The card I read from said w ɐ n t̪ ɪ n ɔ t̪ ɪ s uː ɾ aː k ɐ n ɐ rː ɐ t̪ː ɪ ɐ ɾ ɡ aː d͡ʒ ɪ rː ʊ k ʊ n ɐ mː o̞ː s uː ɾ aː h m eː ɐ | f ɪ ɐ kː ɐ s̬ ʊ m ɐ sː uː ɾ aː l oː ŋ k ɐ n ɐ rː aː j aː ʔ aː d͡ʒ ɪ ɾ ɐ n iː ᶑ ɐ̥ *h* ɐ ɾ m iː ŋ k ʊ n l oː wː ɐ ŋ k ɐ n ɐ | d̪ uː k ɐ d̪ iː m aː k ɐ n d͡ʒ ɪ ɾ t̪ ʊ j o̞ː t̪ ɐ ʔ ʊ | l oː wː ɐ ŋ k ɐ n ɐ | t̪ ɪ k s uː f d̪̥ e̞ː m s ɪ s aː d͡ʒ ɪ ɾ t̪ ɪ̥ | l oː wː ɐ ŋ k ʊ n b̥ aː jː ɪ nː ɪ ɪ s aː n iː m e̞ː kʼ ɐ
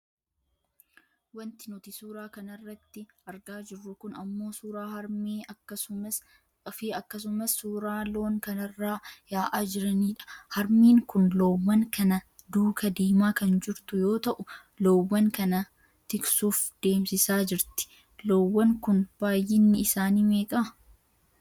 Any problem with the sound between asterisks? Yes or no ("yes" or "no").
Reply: no